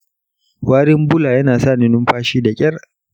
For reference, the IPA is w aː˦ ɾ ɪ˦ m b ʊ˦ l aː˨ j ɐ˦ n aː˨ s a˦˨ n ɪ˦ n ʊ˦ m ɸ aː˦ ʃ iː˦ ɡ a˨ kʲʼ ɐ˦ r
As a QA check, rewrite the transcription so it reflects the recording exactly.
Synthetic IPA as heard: w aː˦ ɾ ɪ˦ m b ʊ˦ l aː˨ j ɐ˦ n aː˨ s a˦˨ n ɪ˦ n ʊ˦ m ɸ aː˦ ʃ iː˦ d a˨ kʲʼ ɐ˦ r